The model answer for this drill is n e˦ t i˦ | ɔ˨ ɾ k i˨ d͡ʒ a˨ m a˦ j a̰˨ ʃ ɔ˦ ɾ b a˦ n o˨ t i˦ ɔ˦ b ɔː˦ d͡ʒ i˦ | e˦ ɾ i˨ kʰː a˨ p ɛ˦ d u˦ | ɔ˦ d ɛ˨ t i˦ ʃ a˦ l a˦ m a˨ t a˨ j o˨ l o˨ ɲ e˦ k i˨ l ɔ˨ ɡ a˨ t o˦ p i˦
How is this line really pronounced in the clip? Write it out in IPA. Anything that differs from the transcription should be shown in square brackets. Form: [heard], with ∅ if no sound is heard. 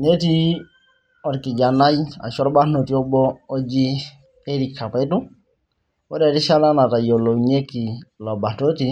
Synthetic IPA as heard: n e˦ t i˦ | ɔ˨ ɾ k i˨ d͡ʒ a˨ [n] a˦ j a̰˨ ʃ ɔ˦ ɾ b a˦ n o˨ t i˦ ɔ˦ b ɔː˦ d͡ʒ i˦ | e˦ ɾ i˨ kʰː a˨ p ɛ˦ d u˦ | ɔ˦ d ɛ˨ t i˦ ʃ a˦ l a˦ [n] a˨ t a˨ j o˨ l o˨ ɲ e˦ k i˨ l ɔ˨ [b] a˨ t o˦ [t] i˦

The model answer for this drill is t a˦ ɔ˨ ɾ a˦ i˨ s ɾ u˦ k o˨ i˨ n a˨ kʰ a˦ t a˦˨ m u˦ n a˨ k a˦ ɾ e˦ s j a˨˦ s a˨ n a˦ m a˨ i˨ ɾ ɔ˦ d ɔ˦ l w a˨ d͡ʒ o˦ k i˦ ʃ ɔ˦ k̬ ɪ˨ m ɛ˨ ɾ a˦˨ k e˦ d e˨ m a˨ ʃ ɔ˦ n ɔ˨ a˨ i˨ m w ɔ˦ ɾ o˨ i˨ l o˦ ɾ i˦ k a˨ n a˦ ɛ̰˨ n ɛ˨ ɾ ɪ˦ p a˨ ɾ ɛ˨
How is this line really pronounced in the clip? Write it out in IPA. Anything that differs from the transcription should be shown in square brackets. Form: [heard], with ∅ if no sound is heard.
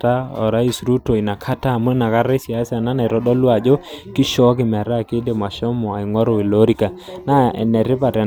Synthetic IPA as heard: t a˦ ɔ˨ ɾ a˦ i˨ s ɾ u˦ [t] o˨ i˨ n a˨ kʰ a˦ t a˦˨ m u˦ n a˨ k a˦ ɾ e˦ s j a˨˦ s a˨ n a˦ [n] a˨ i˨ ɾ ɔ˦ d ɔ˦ l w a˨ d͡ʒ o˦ k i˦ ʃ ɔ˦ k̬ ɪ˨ m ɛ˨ ɾ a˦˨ k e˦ d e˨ m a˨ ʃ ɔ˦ [m] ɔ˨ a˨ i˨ [ŋ] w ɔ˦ ɾ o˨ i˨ l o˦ ɾ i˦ k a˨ n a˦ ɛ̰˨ n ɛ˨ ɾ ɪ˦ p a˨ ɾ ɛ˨

